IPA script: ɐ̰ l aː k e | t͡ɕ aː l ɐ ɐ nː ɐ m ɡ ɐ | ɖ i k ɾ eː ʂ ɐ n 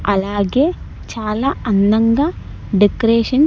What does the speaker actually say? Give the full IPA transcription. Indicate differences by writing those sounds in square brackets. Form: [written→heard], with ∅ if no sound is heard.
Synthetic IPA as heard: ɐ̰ l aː [k→ɡ] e | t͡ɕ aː l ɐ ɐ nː ɐ [m→ŋ] ɡ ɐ | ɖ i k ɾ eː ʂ ɐ n